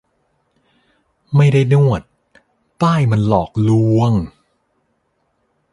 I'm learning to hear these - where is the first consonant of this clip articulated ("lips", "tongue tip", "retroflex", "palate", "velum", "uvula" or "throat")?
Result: lips